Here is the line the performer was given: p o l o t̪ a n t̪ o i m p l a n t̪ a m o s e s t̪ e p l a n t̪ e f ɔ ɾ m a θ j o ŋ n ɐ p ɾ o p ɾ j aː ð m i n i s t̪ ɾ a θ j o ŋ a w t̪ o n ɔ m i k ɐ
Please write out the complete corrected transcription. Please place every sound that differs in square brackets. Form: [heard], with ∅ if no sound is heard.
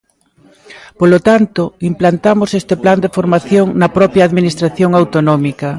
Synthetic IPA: p o l o t̪ a n t̪ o i m p l a n t̪ a m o s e s t̪ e p l a n [d̪] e f [o] ɾ m a θ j o ŋ n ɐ p ɾ [ɔ] p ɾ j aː ð m i n i s t̪ ɾ a θ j o ŋ a w t̪ o n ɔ m i k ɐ